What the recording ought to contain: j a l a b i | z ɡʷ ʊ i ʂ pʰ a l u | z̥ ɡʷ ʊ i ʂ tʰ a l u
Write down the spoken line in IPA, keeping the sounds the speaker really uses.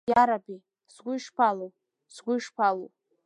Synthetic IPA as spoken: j a ɾ a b i | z ɡʷ ʊ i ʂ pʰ a l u | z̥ ɡʷ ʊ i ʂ pʰ a l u